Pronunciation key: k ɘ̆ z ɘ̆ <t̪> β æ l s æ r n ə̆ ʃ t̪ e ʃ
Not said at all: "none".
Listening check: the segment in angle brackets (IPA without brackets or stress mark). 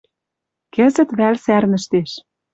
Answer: t̪